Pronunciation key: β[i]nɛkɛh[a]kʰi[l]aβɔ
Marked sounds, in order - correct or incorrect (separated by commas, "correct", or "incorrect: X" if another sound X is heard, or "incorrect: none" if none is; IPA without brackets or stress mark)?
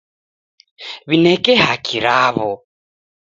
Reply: correct, correct, incorrect: ɾ